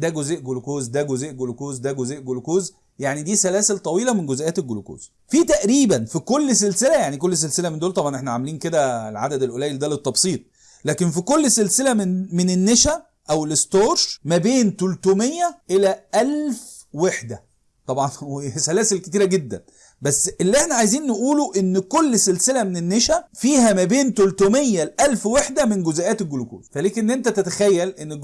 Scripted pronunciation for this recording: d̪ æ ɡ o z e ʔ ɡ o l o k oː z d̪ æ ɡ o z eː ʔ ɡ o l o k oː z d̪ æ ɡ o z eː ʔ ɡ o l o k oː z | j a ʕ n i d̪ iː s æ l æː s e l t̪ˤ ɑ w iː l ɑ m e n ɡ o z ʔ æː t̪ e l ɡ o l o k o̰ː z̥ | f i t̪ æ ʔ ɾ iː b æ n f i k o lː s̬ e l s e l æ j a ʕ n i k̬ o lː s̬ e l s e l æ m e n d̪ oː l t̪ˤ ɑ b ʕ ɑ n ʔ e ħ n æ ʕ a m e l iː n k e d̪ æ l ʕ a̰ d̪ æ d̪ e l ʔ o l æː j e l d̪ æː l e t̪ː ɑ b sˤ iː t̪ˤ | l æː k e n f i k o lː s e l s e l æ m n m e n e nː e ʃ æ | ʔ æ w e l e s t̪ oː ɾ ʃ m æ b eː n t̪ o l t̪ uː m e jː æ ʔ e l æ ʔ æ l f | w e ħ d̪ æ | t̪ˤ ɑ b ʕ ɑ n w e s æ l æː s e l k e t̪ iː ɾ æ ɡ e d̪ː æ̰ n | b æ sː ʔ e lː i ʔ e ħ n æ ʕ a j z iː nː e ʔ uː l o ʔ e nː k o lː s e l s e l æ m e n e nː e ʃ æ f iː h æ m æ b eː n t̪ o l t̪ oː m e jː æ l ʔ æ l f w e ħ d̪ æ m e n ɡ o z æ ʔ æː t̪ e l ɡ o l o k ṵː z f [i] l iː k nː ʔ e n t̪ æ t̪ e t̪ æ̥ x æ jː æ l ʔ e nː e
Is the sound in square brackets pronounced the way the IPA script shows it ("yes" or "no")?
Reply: no